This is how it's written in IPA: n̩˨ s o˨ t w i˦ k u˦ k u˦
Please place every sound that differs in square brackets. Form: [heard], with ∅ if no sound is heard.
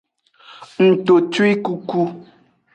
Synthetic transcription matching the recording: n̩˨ [t] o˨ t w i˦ k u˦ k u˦